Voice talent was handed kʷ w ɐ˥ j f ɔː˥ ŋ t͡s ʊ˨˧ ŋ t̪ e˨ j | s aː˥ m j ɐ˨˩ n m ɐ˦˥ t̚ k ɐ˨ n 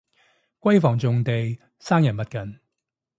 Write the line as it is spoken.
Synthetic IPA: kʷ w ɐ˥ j f ɔː˨˩ ŋ t͡s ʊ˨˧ ŋ t̪ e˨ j | s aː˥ ŋ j ɐ˨˩ n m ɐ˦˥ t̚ k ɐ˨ n